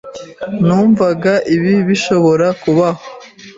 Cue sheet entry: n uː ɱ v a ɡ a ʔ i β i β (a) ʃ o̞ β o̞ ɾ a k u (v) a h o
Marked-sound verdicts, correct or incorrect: incorrect: i, incorrect: β

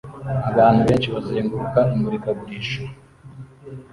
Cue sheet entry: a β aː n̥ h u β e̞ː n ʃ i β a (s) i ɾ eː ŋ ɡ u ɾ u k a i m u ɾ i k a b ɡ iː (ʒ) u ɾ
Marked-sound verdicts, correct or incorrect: incorrect: z, incorrect: ʃ

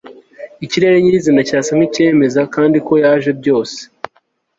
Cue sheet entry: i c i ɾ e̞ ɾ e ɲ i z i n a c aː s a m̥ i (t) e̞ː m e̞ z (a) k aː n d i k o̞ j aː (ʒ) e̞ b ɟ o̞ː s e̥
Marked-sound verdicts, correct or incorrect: incorrect: c, correct, correct

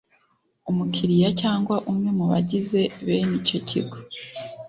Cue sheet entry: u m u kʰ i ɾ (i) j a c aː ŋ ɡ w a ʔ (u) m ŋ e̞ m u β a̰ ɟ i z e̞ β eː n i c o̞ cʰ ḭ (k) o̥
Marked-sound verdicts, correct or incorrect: correct, correct, incorrect: ɡ

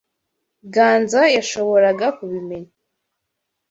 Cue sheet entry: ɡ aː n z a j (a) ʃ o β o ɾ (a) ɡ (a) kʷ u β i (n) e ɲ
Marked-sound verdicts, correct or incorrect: correct, correct, correct, incorrect: m

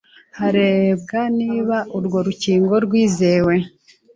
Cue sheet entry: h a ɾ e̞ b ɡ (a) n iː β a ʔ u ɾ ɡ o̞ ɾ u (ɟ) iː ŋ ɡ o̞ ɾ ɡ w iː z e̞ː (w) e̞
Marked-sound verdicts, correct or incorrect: correct, incorrect: c, correct

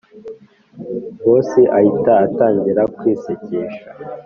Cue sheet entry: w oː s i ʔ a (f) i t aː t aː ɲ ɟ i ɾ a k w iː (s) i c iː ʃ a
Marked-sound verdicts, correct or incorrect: incorrect: h, correct

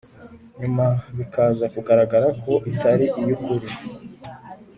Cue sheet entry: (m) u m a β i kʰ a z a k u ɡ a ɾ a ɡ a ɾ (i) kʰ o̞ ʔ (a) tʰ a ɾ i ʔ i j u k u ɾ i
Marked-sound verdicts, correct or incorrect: incorrect: ɲ, incorrect: a, incorrect: i

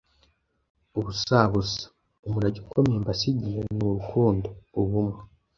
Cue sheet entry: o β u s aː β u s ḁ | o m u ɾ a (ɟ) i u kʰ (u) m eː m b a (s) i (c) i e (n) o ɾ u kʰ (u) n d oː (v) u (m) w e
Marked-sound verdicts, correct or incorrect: correct, incorrect: o, correct, incorrect: ɟ, correct, incorrect: uː, incorrect: β, correct

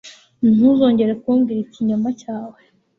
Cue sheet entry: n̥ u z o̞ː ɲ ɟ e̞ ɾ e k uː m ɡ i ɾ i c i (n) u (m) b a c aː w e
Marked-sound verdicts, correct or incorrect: incorrect: ɲ, correct

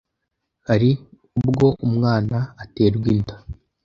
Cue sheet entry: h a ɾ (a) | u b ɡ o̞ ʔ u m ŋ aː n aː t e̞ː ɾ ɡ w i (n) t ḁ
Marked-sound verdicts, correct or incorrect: incorrect: i, correct

